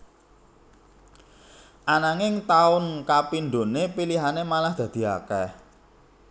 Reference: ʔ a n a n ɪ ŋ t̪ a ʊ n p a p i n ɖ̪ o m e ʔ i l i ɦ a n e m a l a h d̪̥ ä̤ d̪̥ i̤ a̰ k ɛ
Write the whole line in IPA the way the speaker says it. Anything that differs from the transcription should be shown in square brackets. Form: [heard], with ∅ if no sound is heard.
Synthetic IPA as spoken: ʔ a n a [ŋ] ɪ ŋ t̪ a ʊ n [k] a p i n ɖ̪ o [n] e [p] i l i ɦ a n e m a l a h d̪̥ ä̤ d̪̥ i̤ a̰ k ɛ